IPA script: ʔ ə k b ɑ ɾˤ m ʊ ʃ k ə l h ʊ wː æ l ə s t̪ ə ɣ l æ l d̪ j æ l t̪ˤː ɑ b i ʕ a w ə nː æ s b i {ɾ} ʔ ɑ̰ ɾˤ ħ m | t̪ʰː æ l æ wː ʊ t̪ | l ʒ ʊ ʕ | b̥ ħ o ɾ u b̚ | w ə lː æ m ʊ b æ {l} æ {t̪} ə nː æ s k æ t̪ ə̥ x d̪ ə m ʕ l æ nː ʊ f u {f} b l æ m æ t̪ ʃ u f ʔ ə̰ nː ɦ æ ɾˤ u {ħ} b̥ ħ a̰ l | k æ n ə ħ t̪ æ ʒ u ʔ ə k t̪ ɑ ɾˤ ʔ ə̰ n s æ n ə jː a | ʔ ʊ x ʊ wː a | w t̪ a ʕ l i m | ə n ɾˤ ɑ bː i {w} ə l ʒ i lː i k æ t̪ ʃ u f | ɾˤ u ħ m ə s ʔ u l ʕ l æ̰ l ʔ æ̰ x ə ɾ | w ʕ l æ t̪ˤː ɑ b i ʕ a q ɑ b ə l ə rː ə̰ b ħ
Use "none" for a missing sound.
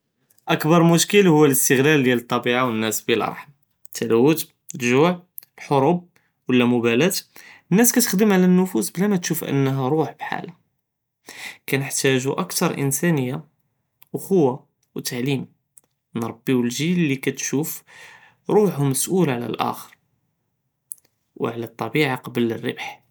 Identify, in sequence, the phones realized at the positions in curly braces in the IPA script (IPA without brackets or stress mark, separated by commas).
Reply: l, l, t̪, s, ħ, w